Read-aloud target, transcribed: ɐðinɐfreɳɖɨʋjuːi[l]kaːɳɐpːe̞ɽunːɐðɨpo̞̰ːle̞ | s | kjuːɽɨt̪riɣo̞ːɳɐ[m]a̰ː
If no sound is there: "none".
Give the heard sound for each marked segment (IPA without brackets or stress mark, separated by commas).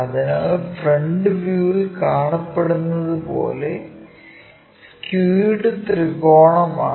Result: l, m